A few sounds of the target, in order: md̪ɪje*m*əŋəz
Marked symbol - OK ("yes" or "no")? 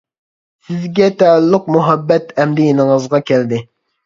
no